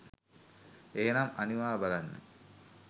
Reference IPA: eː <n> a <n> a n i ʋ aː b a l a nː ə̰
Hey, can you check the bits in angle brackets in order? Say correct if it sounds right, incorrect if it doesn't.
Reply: correct, incorrect: m

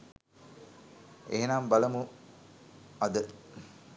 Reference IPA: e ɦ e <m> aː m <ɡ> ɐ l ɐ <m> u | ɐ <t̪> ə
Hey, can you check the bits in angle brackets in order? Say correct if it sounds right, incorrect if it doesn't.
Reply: incorrect: n, incorrect: b, correct, incorrect: d̪

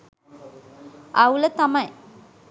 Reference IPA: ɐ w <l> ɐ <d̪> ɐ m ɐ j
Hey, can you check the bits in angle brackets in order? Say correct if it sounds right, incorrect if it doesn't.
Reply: correct, incorrect: t̪

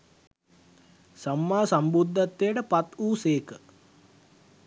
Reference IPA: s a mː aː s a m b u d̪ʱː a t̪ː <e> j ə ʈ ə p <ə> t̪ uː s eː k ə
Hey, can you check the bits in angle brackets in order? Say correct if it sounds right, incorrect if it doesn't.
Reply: correct, incorrect: a

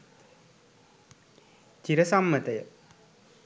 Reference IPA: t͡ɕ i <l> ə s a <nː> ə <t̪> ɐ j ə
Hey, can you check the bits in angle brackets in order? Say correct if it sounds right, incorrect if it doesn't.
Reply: incorrect: ɾ, incorrect: mː, correct

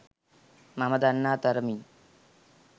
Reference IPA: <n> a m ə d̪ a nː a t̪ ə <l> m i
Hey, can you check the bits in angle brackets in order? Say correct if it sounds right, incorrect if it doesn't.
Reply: incorrect: m, incorrect: ɾ

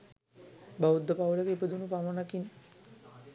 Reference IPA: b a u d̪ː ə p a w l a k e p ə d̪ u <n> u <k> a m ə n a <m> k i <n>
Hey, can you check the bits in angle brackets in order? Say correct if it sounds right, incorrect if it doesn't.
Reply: correct, incorrect: p, incorrect: none, correct

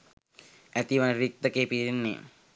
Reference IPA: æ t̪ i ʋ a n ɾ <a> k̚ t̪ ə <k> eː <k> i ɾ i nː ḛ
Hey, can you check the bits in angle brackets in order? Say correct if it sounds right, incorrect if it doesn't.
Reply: incorrect: i, correct, incorrect: p

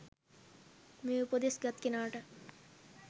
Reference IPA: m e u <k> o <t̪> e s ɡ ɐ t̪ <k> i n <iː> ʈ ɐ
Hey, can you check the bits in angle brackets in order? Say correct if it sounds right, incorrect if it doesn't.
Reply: incorrect: p, incorrect: d̪, correct, incorrect: aː

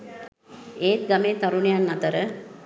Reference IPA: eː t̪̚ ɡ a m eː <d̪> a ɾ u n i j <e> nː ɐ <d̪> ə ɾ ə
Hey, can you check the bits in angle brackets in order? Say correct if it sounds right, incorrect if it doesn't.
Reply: incorrect: t̪, incorrect: a, incorrect: t̪

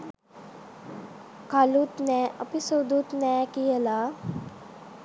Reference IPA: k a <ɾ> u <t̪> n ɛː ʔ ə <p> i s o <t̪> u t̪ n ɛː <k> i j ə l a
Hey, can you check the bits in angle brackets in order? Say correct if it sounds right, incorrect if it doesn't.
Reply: incorrect: l, correct, correct, incorrect: d̪, correct

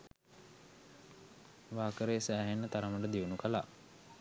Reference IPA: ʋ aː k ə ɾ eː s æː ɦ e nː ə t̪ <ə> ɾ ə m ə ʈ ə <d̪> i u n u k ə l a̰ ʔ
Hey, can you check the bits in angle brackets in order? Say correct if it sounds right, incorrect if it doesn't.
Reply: incorrect: a, correct

